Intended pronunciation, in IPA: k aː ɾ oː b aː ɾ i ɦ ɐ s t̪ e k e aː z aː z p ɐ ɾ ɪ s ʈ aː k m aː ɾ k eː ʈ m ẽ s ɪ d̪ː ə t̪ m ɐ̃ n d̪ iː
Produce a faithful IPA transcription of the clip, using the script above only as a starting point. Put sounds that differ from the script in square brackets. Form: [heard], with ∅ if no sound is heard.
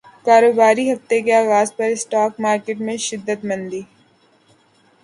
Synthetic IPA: k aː ɾ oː b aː ɾ i ɦ ɐ [f] t̪ e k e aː [ɣ] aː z p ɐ ɾ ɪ s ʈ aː k m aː ɾ k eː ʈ m ẽ [ʃ] ɪ d̪ː ə t̪ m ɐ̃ n d̪ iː